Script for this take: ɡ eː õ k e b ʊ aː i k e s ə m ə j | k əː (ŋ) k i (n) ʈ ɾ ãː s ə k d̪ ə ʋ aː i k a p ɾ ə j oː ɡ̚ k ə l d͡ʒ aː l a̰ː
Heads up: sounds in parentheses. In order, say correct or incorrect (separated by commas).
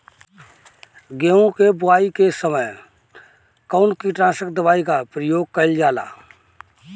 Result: incorrect, incorrect